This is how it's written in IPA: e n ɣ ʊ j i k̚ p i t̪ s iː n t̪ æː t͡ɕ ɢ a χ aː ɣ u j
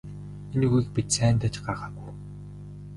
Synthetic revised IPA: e n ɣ u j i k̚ p i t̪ s æː n t̪ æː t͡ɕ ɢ a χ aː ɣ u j